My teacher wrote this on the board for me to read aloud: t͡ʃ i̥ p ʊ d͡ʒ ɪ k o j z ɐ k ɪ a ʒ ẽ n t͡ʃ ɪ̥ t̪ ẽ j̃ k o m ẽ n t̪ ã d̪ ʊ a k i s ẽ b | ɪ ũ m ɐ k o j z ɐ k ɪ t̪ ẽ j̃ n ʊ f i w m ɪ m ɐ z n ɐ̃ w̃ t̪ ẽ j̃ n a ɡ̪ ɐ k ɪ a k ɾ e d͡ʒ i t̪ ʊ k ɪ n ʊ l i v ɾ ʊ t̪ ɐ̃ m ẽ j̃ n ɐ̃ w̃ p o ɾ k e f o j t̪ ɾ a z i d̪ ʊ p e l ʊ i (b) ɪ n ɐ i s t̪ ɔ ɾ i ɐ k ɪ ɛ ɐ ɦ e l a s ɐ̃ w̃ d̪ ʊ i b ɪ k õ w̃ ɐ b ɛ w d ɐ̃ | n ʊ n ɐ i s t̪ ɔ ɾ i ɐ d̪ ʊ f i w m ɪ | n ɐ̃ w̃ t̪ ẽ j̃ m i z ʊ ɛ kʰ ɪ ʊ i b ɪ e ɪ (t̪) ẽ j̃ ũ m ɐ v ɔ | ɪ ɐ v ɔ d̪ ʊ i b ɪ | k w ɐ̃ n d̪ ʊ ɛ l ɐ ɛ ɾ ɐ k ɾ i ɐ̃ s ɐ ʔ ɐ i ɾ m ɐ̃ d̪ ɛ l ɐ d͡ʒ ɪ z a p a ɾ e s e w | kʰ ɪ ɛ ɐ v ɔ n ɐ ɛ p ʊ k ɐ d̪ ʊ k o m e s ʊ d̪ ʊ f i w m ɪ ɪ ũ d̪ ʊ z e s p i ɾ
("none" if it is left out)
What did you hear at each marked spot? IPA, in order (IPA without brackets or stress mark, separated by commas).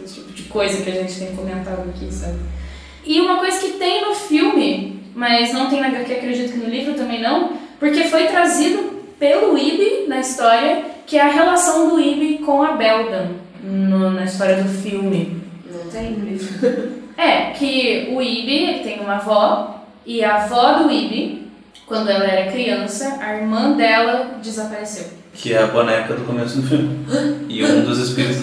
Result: b, t̪